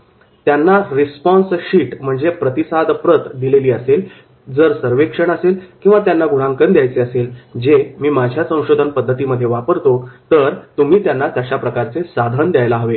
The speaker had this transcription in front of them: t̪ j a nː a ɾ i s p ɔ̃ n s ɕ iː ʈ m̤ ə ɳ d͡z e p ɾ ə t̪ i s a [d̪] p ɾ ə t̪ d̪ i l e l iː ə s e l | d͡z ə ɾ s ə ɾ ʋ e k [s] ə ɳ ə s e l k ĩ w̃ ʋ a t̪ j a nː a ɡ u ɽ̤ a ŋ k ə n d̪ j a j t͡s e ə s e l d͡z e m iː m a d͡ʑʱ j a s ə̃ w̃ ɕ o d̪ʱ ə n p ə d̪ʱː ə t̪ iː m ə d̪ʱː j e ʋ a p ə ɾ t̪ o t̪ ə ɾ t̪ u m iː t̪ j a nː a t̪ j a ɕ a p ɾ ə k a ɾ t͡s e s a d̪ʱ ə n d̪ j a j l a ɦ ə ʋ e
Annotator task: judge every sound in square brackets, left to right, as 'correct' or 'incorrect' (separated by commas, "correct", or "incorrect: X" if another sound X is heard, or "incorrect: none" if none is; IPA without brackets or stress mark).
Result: correct, incorrect: ʂ